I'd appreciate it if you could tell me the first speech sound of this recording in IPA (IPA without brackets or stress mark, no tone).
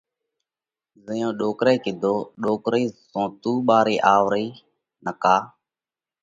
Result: z